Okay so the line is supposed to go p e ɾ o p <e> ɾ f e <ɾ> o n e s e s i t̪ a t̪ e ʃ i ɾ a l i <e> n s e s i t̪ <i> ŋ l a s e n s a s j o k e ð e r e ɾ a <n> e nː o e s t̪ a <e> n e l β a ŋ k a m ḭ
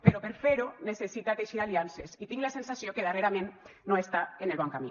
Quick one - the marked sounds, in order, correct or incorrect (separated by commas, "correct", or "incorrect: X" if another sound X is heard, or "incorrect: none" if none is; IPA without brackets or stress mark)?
correct, correct, incorrect: a, correct, incorrect: m, correct